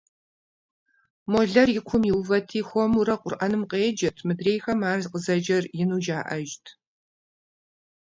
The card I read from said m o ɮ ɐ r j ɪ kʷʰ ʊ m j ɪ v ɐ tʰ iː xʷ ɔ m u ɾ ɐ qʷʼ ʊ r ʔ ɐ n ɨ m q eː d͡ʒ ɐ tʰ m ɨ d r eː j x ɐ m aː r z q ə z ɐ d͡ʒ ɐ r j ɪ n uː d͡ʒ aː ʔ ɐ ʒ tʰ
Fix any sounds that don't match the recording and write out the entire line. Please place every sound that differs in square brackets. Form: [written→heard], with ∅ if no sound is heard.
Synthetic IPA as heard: m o ɮ ɐ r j ɪ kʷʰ ʊ m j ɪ v ɐ tʰ iː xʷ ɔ m u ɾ ɐ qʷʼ ʊ r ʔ ɐ n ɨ m q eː d͡ʒ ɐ tʰ m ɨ d r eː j x ɐ m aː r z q ə z ɐ d͡ʒ ɐ r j ɪ n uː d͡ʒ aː ʔ ɐ ʒ tʰ